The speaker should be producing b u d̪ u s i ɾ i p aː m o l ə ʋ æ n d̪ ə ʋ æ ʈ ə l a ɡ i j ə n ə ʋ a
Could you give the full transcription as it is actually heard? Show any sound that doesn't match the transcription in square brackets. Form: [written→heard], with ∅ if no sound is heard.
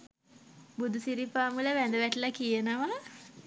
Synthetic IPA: b u d̪ u s i ɾ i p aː m [o→u] l ə ʋ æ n d̪ ə ʋ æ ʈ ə l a [ɡ→k] i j ə n ə ʋ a